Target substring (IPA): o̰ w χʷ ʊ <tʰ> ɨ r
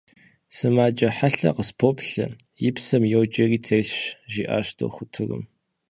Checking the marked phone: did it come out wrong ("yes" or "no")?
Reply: no